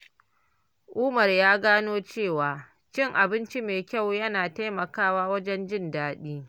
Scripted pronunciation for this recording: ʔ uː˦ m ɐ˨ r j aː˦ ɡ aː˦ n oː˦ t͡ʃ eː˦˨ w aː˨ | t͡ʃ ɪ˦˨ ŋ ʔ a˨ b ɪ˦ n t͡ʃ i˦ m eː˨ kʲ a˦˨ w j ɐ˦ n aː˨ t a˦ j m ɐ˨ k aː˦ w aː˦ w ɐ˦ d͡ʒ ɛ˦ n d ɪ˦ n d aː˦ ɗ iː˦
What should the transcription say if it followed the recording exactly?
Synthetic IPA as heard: ʔ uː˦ m ɐ˨ r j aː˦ ɡ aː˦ n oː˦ t͡ʃ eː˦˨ w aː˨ | t͡ʃ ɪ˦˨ ŋ ʔ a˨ b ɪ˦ n t͡ʃ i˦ m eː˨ kʲ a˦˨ w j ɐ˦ n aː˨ t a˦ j m ɐ˨ k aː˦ w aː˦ w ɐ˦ d͡ʒ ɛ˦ n d͡ʒ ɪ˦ n d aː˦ ɗ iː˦